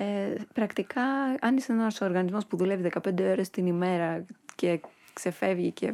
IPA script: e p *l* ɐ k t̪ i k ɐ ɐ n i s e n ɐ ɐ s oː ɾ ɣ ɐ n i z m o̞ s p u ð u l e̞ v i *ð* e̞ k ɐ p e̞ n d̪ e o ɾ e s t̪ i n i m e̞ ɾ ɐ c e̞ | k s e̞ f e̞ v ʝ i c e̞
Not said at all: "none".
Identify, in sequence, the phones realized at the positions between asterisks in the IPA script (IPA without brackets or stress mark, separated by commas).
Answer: ɾ, ð